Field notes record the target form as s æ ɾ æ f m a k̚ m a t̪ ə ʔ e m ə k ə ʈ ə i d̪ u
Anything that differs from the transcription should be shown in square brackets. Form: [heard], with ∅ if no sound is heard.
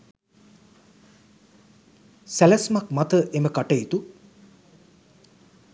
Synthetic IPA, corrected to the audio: s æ [l] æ [s] m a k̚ m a t̪ ə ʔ e m ə k [a] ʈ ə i [t̪] u